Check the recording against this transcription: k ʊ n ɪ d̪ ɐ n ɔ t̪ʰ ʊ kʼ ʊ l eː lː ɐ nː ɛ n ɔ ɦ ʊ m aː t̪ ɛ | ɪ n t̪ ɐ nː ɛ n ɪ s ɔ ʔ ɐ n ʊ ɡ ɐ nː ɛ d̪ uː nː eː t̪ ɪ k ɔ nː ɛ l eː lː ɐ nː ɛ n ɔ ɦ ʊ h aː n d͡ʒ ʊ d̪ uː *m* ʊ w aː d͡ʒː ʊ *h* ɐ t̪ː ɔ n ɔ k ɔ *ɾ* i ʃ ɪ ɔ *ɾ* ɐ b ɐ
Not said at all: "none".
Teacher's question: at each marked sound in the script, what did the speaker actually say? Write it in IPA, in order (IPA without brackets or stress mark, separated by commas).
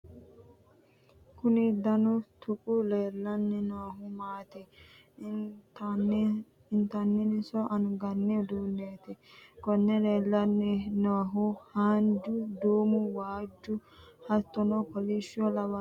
m, h, l, l